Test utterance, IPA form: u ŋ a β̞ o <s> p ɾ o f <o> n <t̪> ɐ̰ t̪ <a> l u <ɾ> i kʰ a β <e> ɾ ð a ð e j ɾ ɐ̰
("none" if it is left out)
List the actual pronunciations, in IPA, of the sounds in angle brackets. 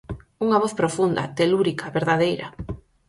θ, u, d̪, e, ɾ, e

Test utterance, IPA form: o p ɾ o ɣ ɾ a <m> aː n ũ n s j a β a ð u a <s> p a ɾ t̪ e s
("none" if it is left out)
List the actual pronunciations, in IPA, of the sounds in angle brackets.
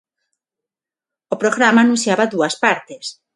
m, s

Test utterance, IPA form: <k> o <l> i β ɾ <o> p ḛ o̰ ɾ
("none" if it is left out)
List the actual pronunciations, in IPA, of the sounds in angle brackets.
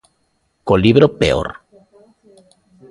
k, l, o

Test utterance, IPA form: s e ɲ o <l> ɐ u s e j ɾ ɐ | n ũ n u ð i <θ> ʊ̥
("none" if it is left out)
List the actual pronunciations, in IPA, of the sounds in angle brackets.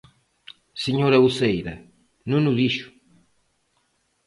ɾ, ʃ

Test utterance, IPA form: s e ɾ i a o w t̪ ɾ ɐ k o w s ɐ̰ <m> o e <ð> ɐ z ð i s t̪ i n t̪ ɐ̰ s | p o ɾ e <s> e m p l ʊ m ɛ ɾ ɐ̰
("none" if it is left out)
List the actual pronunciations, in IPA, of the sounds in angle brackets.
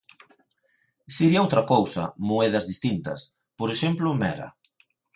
m, ð, ʃ

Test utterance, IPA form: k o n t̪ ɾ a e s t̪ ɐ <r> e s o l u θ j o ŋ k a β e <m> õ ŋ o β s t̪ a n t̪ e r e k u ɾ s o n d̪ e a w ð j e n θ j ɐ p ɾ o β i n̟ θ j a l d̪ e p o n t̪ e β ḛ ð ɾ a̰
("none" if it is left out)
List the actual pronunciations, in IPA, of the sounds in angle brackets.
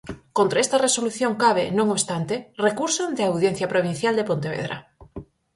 r, n

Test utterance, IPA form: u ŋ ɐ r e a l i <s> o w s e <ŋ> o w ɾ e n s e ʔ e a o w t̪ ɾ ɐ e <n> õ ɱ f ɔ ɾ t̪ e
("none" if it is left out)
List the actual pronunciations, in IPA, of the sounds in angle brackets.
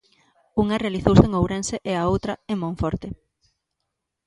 θ, ŋ, m

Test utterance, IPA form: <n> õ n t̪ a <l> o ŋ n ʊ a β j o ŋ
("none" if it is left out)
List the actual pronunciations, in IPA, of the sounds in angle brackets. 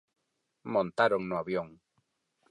m, ɾ

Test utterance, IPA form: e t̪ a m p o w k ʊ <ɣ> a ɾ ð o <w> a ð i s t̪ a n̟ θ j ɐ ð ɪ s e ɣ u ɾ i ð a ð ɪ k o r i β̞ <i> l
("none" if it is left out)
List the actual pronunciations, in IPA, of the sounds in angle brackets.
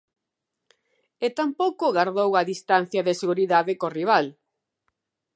ɣ, w, a

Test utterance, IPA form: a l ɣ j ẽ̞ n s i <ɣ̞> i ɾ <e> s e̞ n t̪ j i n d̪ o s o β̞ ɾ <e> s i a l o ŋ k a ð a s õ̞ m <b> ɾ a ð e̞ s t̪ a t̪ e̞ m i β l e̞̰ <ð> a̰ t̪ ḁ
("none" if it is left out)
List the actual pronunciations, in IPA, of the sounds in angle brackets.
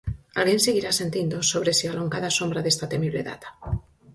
ɣ̞, a, e, b, ð

